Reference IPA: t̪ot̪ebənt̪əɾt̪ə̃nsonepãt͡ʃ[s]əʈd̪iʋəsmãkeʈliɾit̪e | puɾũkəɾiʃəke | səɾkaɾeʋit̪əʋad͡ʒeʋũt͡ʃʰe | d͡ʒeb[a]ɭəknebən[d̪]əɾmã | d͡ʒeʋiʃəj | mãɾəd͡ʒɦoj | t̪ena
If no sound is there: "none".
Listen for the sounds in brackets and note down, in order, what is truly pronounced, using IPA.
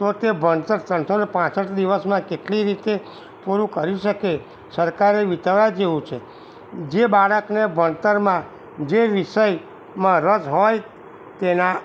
s, a, t̪

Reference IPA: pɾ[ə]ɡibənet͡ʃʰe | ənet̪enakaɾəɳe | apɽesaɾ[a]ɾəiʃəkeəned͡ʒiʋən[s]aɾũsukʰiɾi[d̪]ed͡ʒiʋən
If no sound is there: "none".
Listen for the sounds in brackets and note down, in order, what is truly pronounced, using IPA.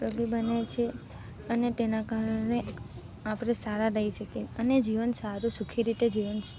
ə, a, s, t̪

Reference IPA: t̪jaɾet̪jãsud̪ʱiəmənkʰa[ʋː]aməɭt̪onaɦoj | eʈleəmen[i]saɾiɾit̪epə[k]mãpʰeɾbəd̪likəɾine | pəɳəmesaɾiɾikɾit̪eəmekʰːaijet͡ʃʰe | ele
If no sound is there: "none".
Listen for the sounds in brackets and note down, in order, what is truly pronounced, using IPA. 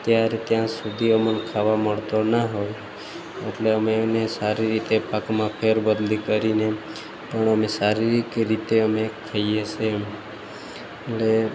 ʋ, e, k

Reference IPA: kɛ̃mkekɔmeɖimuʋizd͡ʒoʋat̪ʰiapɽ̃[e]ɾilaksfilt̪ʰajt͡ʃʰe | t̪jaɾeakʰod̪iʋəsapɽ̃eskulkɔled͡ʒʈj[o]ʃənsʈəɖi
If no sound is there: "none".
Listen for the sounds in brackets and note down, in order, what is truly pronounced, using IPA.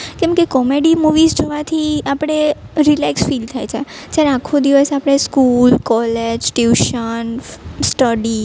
e, u

